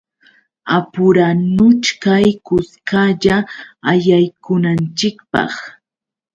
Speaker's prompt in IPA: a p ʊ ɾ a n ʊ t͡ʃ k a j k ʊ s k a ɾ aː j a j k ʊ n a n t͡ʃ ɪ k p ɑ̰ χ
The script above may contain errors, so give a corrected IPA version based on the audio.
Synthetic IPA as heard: a p ʊ ɾ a n ʊ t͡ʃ k a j k ʊ s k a ʎ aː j a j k ʊ n a n t͡ʃ ɪ k p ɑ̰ χ